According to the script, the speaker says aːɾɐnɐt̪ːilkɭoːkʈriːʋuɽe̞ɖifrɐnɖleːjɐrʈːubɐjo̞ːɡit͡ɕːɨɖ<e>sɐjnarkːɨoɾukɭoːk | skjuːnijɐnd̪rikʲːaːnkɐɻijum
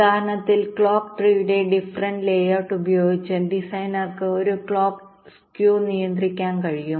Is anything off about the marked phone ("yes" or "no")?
yes